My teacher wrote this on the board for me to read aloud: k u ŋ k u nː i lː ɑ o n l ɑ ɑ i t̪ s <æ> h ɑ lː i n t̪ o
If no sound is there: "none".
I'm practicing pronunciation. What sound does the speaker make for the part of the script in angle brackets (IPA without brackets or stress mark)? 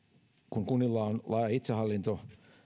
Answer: e